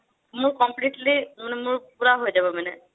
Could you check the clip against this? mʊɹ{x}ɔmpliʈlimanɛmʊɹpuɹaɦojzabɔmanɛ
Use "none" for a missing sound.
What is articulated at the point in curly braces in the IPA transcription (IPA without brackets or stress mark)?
k